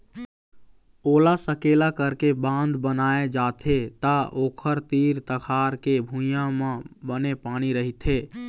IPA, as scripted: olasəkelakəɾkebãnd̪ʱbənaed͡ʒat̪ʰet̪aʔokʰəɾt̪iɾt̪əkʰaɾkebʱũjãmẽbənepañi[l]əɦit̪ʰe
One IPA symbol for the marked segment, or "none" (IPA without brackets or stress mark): ɾ